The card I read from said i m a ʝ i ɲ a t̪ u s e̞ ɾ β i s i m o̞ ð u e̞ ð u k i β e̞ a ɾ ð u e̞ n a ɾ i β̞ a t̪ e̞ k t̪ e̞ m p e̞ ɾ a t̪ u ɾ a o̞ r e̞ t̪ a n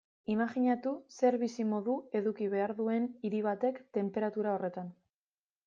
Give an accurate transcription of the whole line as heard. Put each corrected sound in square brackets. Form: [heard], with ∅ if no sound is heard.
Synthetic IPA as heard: i m a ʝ i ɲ a t̪ u s e̞ ɾ β i s i m o̞ ð u e̞ ð u k i β e̞ a ɾ ð u e̞ n [i] ɾ i β̞ a t̪ e̞ k t̪ e̞ m p e̞ ɾ a t̪ u ɾ a o̞ r e̞ t̪ a n